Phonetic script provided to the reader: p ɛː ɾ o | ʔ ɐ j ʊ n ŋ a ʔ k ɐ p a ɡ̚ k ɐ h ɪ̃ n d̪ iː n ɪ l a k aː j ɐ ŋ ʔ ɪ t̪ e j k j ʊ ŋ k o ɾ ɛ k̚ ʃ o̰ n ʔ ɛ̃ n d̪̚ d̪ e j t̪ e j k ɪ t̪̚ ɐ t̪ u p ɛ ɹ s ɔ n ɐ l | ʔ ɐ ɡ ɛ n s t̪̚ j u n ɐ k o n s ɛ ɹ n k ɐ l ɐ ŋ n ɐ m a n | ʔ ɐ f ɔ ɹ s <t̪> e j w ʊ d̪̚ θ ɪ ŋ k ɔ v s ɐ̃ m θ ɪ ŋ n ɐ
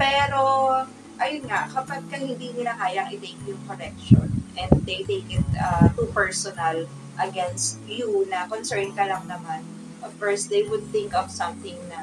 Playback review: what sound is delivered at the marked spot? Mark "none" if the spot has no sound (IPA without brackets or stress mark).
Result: d̪